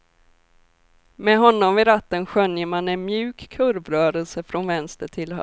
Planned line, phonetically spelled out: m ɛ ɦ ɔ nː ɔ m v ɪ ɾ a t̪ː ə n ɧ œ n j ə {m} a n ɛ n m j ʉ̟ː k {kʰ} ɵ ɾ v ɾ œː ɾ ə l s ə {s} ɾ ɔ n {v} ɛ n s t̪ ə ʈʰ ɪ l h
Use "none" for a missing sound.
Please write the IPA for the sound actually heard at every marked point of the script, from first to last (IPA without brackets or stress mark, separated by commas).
m, kʰ, f, v